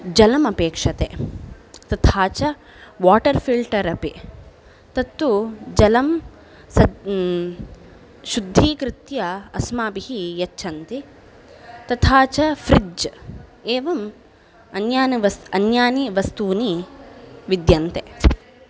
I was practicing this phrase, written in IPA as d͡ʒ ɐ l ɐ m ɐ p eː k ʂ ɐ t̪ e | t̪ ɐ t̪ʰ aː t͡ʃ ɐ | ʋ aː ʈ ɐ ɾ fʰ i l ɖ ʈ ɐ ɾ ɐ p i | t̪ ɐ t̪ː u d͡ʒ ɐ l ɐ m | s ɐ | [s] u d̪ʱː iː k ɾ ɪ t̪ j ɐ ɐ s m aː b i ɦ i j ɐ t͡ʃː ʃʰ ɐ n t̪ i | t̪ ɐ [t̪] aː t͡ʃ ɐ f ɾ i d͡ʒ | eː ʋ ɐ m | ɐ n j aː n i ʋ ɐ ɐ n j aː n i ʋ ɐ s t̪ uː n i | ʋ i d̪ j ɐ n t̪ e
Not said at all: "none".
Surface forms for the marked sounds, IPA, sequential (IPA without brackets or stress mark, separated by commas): ʃ, t̪ʰ